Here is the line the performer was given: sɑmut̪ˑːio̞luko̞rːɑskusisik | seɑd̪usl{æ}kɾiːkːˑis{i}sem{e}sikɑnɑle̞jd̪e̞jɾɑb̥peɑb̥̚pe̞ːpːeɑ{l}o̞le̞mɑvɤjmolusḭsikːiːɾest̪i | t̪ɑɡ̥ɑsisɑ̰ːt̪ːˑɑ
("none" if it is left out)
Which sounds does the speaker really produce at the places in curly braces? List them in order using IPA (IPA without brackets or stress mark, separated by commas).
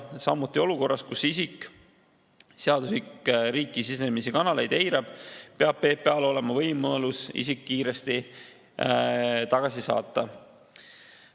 i, i, i, l